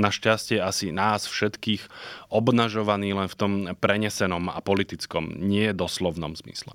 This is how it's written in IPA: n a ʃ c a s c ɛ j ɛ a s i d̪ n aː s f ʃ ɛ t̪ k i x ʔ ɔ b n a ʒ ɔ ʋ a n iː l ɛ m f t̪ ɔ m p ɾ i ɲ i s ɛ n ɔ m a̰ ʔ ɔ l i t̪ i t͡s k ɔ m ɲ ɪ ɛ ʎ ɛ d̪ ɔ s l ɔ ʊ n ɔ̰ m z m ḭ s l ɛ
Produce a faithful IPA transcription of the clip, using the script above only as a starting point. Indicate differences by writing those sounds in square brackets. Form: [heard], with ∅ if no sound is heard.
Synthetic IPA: n a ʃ c a s c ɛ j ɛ a s i [∅] n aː s f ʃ ɛ t̪ k [iː] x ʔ ɔ b n a ʒ ɔ ʋ a n iː l ɛ [n] f t̪ ɔ m p ɾ [ɛ] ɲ [ɛ] s ɛ n ɔ m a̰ [p] ɔ l i t̪ i t͡s k ɔ m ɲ ɪ ɛ [j] ɛ d̪ ɔ s l ɔ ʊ n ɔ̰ m z m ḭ s l ɛ